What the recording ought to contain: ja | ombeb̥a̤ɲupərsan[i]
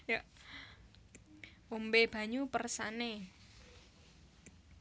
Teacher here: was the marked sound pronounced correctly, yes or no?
no